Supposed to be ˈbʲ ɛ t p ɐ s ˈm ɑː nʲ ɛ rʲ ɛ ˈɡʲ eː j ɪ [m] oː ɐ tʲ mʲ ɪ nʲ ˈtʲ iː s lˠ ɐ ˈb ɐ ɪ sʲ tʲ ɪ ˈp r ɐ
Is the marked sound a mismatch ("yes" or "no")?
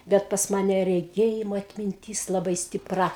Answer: no